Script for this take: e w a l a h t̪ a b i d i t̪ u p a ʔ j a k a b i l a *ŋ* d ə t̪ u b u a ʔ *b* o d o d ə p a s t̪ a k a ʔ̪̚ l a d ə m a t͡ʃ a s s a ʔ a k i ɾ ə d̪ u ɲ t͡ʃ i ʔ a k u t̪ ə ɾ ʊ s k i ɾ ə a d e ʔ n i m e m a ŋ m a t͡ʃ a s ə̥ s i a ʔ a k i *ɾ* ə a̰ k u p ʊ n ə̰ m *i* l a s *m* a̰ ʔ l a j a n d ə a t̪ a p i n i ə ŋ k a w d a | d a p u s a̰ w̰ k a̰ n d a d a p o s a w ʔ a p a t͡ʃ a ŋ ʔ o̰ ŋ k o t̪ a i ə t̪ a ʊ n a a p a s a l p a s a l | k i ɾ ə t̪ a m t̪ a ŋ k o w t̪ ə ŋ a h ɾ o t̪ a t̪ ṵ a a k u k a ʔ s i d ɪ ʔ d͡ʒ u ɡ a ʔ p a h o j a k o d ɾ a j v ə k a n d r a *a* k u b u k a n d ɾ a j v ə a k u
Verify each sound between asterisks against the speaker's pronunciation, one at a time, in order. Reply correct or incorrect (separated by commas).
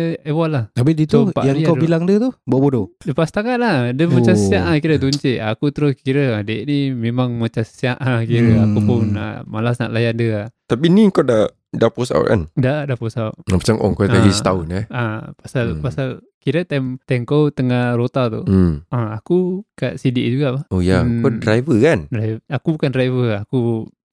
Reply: correct, correct, correct, incorrect, incorrect, correct